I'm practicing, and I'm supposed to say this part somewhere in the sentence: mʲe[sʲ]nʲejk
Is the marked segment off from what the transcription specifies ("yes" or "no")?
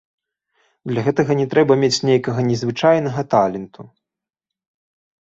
yes